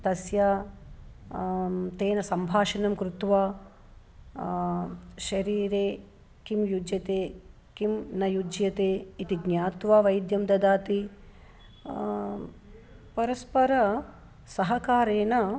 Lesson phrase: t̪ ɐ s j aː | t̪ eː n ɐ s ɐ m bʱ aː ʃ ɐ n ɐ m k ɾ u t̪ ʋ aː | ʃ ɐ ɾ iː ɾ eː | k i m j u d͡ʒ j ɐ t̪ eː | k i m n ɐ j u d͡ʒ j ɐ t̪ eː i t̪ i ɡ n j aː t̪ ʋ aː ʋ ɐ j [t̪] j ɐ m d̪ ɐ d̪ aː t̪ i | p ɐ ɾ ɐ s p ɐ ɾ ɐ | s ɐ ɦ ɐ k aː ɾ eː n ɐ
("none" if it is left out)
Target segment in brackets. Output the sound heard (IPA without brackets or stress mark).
d̪